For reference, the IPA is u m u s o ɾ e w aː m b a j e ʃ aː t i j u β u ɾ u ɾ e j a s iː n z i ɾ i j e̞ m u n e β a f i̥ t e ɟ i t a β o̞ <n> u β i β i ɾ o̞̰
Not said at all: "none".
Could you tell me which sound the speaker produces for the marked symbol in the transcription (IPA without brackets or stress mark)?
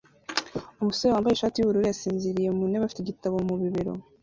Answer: m